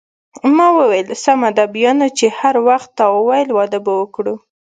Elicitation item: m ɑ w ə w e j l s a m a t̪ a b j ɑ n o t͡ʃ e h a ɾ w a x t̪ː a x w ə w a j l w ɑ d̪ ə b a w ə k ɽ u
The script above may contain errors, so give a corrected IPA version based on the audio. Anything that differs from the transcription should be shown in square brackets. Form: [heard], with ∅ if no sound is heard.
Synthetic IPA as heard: m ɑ w ə w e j l s a m a [d̪] a b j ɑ n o t͡ʃ e h a ɾ w a x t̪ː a [∅] w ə w a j l w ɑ d̪ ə b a w ə k ɽ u

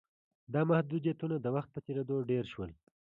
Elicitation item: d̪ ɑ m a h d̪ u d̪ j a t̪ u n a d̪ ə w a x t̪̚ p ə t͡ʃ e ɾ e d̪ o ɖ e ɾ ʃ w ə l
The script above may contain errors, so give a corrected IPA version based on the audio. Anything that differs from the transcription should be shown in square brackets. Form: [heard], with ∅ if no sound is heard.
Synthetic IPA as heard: d̪ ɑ m a h d̪ u d̪ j a t̪ u n a d̪ ə w a x t̪̚ p ə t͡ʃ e ɾ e d̪ o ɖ e ɾ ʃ w ə l

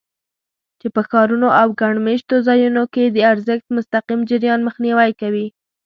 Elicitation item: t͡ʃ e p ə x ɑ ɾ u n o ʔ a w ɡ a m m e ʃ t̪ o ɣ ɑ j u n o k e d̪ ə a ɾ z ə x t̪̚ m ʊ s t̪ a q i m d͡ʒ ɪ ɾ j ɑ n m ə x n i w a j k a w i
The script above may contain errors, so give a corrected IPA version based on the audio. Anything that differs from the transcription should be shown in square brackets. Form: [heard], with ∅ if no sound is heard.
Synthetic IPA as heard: t͡ʃ e p ə x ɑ ɾ u n o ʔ a w ɡ a [ɳ] m e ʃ t̪ o [z] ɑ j u n o k e d̪ ə a ɾ z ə x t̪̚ m ʊ s t̪ a q i m d͡ʒ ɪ ɾ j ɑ n m ə x n i w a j k a w i

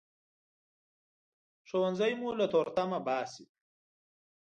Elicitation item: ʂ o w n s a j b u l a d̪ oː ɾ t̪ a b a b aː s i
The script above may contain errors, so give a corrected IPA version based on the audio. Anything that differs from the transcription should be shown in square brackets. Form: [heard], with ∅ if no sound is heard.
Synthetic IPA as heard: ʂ o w n [z] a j [m] u l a [t̪] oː ɾ t̪ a [m] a b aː s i

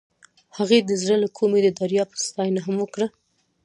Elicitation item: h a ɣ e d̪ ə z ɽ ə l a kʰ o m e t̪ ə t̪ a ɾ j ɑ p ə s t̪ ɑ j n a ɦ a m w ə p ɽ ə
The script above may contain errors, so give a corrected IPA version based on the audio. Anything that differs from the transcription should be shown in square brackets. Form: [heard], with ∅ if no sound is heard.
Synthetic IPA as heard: h a ɣ e d̪ ə z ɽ ə l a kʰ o m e [d̪] ə [d̪] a ɾ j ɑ p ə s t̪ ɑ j n a ɦ a m w ə [k] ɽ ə

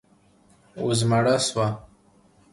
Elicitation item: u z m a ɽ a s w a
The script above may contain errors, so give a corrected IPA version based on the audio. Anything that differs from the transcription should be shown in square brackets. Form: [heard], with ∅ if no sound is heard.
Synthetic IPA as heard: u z m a ɽ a s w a

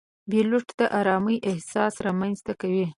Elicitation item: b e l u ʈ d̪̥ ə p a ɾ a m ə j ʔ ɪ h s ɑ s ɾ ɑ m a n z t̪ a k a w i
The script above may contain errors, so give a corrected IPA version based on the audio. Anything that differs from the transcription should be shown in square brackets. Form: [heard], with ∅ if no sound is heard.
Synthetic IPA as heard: b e l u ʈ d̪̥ ə [ʔ] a ɾ [ɑ] m ə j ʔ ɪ h s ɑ s ɾ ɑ m a n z t̪ a k a w i

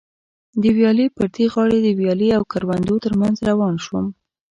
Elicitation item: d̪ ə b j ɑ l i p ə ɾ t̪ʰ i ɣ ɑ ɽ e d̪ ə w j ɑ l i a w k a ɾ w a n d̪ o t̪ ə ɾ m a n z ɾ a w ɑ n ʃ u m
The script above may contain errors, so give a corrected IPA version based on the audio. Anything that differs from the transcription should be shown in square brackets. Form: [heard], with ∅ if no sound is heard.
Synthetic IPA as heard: d̪ ə [w] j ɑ l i p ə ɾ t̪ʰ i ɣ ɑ ɽ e d̪ ə w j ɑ l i a w k a ɾ w a n d̪ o t̪ ə ɾ m a n z ɾ a w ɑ n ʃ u m

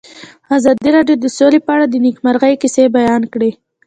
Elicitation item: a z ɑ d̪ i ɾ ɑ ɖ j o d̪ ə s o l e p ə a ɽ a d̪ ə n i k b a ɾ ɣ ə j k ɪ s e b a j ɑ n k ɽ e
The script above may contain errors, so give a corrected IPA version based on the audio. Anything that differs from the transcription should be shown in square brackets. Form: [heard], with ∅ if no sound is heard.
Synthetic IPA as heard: a z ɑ d̪ i ɾ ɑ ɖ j o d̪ ə s o l e p ə a ɽ a d̪ ə n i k [m] a ɾ ɣ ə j k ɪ s e b a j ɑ n k ɽ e

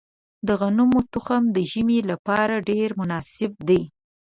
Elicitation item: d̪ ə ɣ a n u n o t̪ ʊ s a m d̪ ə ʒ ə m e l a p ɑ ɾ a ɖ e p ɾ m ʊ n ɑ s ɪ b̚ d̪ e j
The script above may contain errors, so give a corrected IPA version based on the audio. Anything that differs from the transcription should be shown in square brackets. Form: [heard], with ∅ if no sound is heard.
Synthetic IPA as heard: d̪ ə ɣ a n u [m] o t̪ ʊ [x] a m d̪ ə ʒ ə m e l a p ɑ ɾ a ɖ e [∅] ɾ m ʊ n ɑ s ɪ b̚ d̪ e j

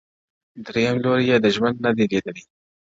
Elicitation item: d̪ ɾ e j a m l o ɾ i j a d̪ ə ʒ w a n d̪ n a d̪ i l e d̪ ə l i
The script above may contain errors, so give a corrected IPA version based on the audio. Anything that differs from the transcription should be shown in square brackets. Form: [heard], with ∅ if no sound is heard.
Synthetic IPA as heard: d̪ ɾ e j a m l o ɾ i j [e] d̪ ə ʒ w a n d̪ n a d̪ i l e d̪ ə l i

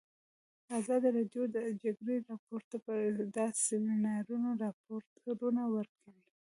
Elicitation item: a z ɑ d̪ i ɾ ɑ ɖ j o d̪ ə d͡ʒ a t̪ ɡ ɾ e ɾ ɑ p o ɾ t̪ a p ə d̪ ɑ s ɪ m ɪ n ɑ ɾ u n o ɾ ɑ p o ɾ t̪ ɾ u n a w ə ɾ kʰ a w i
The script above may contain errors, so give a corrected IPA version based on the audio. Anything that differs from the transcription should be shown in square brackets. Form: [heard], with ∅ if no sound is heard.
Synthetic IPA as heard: a z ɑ d̪ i ɾ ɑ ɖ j o d̪ ə d͡ʒ a [∅] ɡ ɾ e ɾ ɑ p o ɾ t̪ a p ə d̪ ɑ s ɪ m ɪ n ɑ ɾ u n o ɾ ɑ p o ɾ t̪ ɾ u n a w ə ɾ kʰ a w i

